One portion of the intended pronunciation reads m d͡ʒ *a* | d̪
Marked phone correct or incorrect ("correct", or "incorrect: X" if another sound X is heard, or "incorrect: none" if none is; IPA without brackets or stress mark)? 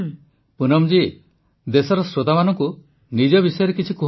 incorrect: i